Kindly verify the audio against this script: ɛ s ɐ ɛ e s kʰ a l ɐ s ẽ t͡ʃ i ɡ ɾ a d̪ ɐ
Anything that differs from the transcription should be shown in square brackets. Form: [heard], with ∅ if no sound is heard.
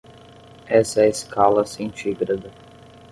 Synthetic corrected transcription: ɛ s ɐ ɛ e s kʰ a l ɐ s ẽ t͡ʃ i ɡ ɾ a d̪ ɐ